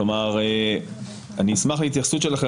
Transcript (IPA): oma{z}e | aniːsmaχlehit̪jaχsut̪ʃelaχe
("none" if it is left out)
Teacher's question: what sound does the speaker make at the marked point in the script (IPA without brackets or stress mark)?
ʁ